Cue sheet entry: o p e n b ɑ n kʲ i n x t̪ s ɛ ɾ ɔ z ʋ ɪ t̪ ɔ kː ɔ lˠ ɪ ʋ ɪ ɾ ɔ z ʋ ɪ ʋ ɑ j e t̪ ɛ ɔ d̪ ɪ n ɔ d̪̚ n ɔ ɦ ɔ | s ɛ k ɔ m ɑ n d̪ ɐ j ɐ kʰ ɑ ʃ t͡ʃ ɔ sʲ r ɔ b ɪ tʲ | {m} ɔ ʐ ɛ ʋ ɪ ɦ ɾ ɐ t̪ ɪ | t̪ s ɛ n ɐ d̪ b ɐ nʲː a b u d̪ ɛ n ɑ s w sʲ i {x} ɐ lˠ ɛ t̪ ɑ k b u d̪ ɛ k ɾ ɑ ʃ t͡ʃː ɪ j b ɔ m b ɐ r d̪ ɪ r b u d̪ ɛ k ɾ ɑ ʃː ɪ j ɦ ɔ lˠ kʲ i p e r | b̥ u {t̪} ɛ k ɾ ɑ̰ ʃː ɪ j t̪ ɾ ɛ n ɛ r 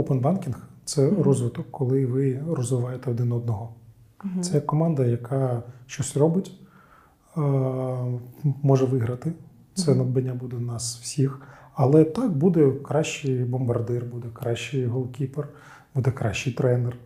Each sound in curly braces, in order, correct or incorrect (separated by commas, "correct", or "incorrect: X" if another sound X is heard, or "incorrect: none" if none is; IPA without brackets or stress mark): correct, correct, incorrect: d̪